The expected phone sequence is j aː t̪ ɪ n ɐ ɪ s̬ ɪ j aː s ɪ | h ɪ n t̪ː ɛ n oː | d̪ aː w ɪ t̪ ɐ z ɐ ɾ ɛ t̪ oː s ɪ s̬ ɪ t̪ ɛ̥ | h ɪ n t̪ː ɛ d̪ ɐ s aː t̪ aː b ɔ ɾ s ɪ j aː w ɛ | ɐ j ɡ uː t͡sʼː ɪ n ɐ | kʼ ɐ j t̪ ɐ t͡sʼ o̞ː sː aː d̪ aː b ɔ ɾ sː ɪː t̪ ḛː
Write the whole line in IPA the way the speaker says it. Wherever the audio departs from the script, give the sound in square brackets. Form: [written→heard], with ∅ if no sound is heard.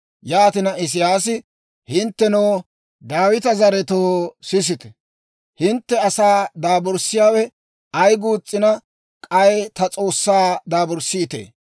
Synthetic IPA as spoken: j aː t̪ ɪ n ɐ ɪ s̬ ɪ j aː s ɪ | h ɪ n t̪ː ɛ n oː | d̪ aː w ɪ t̪ ɐ z ɐ ɾ ɛ t̪ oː s ɪ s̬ ɪ t̪ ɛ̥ | h ɪ n t̪ː ɛ [d̪→∅] ɐ s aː [t̪→d̪] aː b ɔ ɾ s ɪ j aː w ɛ | ɐ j ɡ uː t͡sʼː ɪ n ɐ | kʼ ɐ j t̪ ɐ t͡sʼ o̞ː sː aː d̪ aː b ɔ ɾ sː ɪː t̪ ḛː